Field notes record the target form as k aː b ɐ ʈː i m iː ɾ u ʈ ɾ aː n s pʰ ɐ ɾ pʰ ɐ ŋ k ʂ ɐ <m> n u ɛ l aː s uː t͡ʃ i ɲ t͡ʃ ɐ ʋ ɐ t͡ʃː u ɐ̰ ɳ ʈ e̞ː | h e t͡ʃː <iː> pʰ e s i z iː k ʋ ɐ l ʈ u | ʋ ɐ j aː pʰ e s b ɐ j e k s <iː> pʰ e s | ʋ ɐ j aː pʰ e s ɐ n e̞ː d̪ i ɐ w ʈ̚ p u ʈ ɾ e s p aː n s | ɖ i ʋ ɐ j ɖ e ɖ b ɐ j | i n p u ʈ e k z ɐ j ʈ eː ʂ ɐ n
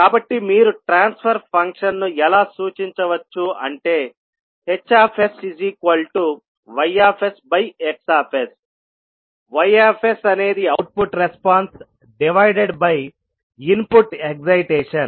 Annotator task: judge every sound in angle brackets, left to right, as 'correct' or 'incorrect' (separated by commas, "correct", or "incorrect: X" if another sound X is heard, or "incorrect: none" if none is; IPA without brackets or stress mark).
incorrect: n, incorrect: aː, incorrect: aː